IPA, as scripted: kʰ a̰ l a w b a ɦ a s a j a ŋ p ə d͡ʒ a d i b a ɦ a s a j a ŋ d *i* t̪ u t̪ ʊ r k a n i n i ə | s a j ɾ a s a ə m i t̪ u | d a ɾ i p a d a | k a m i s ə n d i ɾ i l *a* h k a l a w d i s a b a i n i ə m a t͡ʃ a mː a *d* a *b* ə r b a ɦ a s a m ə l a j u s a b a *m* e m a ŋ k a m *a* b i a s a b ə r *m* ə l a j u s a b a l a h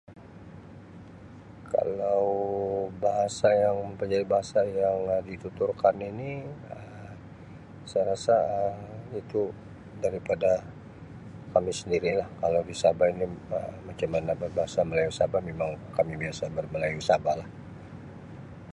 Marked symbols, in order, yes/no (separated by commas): yes, yes, no, yes, yes, no, yes